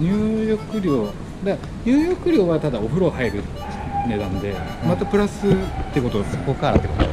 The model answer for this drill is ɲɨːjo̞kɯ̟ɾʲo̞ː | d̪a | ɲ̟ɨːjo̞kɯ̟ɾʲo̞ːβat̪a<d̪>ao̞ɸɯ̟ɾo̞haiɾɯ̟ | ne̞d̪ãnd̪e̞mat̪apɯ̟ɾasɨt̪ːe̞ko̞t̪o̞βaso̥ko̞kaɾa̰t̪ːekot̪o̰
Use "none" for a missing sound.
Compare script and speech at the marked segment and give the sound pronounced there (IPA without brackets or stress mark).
d̪